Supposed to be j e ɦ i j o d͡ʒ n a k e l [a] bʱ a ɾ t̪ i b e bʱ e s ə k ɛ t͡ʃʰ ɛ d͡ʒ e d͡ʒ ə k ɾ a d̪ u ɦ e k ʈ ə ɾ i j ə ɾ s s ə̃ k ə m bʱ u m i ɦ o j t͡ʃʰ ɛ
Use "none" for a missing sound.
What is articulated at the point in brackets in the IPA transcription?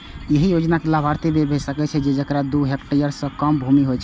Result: a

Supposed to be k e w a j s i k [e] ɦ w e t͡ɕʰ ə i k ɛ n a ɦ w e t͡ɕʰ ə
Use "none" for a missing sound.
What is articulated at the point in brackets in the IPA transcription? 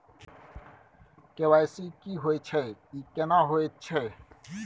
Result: i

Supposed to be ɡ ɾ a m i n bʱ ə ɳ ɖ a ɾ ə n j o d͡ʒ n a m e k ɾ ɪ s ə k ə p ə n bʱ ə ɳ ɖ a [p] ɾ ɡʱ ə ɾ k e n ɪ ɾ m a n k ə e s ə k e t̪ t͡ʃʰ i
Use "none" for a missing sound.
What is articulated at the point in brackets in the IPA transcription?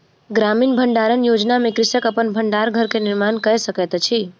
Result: none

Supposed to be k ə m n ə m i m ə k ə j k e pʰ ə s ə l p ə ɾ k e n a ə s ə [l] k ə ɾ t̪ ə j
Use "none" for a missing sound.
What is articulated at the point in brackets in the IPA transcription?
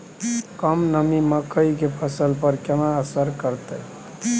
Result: ɾ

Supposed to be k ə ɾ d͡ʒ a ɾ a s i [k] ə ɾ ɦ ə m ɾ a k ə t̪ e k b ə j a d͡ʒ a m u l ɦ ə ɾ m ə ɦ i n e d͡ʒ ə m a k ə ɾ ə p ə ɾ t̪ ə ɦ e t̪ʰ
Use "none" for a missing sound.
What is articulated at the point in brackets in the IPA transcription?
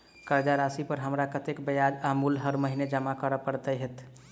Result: p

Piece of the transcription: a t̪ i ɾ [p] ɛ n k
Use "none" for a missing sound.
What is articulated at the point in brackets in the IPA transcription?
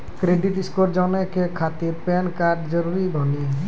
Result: p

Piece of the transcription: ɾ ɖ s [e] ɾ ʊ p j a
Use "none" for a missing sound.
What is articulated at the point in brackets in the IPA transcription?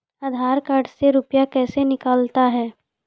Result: e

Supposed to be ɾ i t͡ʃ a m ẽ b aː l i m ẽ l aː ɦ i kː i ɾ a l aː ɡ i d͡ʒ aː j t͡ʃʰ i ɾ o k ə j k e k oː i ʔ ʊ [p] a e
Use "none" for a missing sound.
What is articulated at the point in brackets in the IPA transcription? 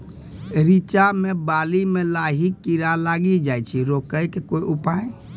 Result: p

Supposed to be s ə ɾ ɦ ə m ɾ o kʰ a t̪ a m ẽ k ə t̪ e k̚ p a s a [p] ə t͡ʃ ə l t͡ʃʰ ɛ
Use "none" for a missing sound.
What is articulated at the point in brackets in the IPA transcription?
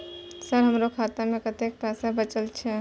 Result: b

